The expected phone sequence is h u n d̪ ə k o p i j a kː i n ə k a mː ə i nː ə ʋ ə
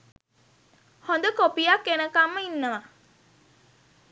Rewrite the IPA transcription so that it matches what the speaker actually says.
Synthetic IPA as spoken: h o n d̪ ə k o p i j a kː e n ə k a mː ə i nː ə ʋ a